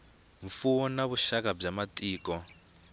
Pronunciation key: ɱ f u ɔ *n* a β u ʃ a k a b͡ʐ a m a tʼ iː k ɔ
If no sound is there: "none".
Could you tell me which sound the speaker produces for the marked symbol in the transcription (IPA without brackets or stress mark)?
n